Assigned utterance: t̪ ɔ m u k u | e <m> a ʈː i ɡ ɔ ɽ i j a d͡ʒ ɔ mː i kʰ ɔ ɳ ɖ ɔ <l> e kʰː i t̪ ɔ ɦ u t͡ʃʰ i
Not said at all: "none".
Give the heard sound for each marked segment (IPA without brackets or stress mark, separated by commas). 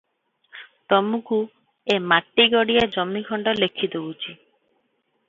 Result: m, l